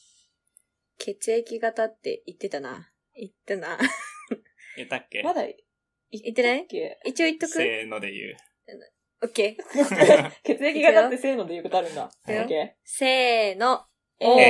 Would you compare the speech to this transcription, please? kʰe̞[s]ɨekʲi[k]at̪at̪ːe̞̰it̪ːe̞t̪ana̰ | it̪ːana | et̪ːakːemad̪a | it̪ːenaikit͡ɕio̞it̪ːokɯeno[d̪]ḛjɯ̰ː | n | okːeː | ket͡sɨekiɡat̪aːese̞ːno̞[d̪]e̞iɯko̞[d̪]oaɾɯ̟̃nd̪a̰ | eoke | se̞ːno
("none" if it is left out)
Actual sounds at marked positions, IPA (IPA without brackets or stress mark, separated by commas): t͡s, ɡ, d̪, d̪, t̪